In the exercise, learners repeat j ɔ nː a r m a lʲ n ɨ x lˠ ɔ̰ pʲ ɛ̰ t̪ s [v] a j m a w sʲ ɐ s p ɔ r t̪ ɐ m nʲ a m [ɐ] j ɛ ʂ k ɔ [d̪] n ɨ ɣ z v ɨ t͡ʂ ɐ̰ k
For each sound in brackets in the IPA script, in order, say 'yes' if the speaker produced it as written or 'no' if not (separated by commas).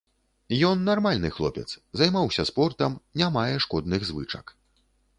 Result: no, no, yes